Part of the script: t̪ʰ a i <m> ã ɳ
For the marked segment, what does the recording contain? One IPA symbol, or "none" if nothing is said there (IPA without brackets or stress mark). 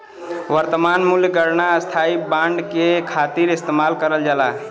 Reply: b